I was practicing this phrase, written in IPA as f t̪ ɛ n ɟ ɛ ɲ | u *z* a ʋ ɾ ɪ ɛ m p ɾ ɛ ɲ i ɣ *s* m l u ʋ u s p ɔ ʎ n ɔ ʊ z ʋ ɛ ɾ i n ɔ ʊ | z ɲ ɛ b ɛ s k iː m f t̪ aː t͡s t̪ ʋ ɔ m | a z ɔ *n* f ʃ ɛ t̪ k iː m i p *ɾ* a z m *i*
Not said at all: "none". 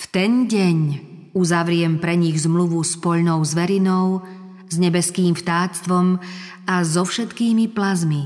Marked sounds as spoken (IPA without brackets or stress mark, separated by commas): z, z, none, l, i